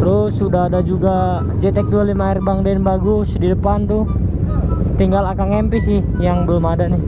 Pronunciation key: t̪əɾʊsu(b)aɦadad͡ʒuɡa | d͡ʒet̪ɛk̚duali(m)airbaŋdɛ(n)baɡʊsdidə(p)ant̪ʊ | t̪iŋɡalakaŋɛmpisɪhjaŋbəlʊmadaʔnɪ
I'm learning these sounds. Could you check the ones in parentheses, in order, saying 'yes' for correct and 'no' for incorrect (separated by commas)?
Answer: no, yes, yes, yes